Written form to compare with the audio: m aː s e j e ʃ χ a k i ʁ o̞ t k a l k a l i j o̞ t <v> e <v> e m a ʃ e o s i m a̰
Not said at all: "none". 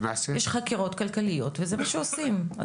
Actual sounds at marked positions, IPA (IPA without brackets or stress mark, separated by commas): v, z